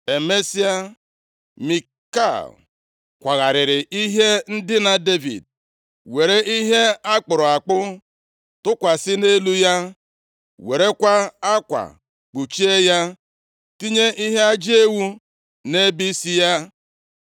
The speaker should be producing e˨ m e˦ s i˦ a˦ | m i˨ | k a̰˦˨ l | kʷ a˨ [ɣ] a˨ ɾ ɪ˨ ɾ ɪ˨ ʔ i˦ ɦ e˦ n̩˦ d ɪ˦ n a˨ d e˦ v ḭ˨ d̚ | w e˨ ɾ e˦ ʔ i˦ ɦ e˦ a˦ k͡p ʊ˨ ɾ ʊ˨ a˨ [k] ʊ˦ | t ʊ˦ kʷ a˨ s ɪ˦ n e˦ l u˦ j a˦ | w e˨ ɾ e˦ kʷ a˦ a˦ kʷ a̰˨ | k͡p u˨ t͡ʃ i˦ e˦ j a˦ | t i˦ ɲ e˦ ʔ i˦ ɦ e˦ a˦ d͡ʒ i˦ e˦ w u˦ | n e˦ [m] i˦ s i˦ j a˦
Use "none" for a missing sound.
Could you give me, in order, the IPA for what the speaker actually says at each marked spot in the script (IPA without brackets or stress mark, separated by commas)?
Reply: ɣ, k͡p, b